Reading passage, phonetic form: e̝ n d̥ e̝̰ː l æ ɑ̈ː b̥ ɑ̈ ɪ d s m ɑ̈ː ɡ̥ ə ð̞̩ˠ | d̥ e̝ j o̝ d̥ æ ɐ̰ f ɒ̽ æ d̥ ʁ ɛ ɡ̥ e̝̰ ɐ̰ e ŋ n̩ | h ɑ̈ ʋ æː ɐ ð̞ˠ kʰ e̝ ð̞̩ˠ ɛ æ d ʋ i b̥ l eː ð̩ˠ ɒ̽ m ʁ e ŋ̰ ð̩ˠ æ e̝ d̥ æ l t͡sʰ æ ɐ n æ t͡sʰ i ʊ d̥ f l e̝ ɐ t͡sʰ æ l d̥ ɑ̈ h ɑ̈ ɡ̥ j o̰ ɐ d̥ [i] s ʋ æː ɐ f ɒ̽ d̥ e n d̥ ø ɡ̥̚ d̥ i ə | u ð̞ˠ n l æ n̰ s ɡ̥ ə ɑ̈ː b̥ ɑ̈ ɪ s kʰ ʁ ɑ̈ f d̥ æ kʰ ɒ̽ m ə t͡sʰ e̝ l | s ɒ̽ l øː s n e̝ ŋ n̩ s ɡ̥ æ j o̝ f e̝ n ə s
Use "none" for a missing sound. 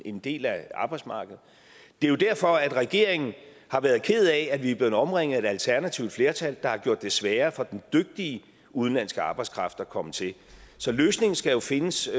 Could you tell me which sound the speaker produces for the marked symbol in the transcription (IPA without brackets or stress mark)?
e